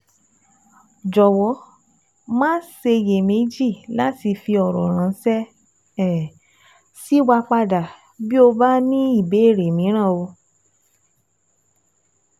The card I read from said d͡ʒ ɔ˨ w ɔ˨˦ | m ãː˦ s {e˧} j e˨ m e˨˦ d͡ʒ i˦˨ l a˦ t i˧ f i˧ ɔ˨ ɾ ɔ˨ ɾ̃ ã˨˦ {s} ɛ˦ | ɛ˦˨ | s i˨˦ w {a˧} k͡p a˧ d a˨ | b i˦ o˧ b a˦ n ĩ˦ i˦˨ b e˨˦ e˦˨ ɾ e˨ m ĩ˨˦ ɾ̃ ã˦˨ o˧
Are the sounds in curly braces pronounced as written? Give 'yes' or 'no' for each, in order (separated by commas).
yes, yes, yes